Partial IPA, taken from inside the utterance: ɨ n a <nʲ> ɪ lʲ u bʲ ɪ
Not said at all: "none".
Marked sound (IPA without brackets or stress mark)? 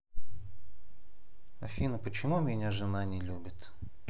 nʲ